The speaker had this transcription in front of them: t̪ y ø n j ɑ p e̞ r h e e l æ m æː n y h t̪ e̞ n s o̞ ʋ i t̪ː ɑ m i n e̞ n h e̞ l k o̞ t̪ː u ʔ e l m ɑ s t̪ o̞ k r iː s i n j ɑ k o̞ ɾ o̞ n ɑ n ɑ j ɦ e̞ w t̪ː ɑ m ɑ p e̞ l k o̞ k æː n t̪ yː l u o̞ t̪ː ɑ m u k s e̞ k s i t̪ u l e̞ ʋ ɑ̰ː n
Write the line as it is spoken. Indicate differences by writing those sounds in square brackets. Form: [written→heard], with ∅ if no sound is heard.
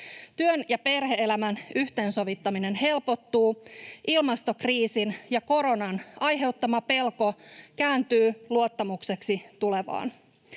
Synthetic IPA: t̪ y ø n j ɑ p e̞ r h e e l æ m [æː→æ] n y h t̪ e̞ n s o̞ ʋ i t̪ː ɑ m i n e̞ n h e̞ l [k→p] o̞ t̪ː [u→uː] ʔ [e→i] l m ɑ s t̪ o̞ k r iː s i n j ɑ k o̞ ɾ o̞ n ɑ n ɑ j ɦ e̞ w t̪ː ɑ m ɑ p e̞ l k o̞ k æː n t̪ yː l u o̞ t̪ː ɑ m u k s e̞ k s i t̪ u l e̞ ʋ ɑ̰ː n